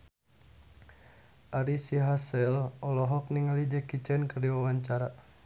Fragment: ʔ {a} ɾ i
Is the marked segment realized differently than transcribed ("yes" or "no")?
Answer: no